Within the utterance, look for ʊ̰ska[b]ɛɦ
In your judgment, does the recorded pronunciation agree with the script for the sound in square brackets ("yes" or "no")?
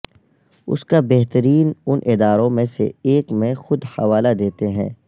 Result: yes